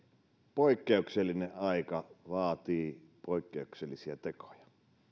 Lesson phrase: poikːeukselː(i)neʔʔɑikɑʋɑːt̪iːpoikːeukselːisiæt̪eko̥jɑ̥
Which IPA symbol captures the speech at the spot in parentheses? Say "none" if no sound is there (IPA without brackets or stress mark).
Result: i